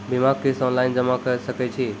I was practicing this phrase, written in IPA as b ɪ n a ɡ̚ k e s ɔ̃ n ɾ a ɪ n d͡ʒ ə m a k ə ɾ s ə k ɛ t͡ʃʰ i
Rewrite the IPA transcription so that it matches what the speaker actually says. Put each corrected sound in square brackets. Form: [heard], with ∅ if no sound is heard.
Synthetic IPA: b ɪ [m] a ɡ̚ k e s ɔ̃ n [l] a ɪ n d͡ʒ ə m a k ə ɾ s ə k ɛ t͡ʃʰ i